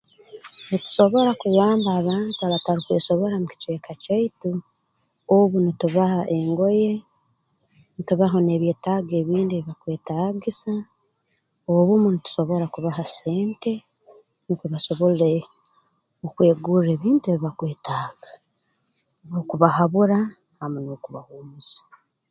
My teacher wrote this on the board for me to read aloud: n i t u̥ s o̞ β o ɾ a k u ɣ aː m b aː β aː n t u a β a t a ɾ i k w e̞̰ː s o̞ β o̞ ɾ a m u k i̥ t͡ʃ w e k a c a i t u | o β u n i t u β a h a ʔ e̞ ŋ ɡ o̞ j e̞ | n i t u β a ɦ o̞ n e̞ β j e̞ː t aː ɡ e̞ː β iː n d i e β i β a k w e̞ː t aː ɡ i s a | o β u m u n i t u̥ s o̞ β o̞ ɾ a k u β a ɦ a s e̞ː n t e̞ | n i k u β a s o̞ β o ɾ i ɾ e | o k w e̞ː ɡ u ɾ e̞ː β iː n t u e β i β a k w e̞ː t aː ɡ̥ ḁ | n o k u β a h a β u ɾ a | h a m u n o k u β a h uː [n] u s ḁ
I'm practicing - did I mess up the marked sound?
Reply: yes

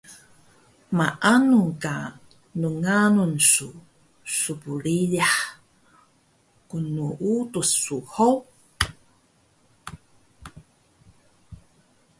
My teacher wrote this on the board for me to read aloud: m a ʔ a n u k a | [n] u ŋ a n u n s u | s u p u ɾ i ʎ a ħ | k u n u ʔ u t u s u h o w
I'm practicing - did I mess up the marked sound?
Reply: no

